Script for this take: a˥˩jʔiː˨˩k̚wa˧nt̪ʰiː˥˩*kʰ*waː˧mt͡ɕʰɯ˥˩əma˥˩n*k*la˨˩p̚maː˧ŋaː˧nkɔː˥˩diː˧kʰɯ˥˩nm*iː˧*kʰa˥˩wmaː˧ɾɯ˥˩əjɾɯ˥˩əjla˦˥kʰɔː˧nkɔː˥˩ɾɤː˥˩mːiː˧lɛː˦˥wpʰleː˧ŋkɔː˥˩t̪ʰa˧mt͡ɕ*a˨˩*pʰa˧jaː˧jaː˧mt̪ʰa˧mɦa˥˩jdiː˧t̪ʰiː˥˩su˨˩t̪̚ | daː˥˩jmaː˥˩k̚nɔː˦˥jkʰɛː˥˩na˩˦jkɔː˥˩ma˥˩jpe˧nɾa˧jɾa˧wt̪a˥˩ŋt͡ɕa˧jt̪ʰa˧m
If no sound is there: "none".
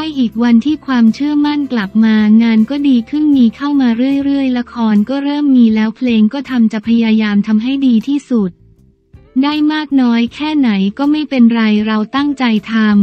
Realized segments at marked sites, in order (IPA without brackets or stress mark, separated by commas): kʰ, k, iː˧, a˨˩